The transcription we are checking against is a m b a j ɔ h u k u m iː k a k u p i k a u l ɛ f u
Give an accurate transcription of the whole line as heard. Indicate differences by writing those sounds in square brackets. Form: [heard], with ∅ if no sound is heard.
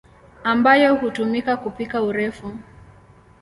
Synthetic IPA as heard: a m b a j ɔ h u [t] u m [i] k a k u p i k a u [ɾ] ɛ f u